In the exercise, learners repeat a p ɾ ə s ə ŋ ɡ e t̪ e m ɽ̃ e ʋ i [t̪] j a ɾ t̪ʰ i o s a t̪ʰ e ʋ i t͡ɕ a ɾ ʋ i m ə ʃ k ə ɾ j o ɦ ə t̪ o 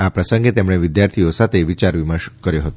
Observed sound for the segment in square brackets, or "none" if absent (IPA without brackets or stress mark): d̪